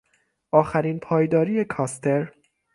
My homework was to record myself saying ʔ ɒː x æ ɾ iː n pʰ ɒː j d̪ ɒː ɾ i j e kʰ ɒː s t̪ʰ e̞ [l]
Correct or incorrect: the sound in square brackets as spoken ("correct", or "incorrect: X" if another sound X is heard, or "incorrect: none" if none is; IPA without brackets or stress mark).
incorrect: ɾ